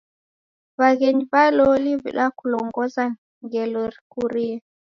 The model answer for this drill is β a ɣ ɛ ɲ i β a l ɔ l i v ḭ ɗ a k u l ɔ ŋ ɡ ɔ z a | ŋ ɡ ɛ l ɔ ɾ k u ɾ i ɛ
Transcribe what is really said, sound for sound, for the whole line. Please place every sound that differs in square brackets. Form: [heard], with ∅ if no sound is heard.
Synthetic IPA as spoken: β a ɣ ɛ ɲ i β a l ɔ l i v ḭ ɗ a k u l ɔ ŋ ɡ ɔ z a | ŋ ɡ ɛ l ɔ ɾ k u ɾ i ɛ